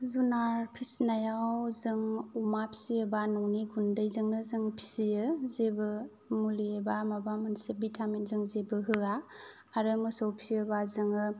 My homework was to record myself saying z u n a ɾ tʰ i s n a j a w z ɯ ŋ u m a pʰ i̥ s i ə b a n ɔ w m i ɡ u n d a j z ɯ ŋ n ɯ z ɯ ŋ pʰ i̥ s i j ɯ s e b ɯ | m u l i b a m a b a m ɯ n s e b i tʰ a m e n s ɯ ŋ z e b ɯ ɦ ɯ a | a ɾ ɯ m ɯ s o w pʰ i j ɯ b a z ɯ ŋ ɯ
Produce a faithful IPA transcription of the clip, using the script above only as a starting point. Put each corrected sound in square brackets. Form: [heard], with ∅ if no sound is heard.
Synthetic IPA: z u n a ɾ [pʰ] i s n a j a w z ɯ ŋ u m a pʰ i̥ s i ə b a n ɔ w [n] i ɡ u n d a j z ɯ ŋ n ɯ z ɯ ŋ pʰ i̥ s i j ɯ [z] e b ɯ | m u l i b a m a b a m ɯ n s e b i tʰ a m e n [z] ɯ ŋ z e b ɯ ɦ ɯ a | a ɾ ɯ m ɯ s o w pʰ i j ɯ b a z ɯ ŋ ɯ